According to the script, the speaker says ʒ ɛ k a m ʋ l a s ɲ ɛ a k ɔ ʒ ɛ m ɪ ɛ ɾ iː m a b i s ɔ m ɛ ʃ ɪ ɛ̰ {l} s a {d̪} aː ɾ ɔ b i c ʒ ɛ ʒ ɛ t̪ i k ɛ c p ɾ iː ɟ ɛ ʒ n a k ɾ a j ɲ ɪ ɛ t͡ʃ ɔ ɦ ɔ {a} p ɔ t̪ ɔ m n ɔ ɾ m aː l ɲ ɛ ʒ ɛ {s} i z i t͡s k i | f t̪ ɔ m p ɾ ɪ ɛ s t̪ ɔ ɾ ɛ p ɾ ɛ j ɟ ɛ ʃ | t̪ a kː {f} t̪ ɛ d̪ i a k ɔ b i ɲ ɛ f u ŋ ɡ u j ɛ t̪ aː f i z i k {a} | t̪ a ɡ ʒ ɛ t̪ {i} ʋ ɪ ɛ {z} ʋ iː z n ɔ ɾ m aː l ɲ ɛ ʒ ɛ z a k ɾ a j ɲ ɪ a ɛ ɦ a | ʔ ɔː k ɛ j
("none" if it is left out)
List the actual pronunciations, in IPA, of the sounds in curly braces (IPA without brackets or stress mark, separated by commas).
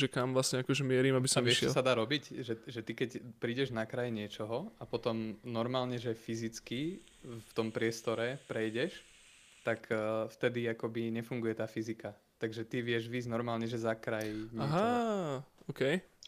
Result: l, d̪, a, f, f, a, i, ʒ